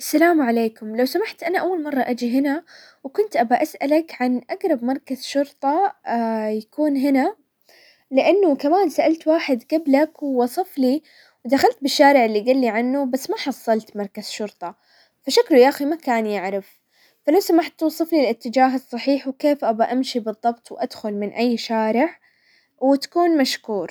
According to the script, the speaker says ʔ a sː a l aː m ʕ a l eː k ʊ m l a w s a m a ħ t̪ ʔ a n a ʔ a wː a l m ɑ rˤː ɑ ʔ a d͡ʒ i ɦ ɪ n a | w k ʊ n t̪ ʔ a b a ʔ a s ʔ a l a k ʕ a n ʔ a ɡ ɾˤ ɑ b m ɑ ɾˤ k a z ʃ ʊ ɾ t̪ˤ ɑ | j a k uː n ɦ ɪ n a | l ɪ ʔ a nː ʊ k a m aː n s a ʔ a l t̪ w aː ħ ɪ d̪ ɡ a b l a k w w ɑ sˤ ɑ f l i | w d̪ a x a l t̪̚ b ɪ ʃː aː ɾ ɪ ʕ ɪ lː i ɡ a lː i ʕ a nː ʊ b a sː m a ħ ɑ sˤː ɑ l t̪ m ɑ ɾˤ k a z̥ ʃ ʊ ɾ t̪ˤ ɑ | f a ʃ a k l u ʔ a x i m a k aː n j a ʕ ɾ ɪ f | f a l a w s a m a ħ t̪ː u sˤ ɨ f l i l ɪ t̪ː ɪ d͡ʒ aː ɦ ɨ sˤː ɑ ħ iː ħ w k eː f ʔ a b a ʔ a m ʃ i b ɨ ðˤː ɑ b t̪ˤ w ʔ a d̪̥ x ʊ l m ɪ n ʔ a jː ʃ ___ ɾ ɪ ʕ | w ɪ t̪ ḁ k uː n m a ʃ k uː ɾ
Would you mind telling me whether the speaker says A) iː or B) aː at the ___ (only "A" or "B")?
B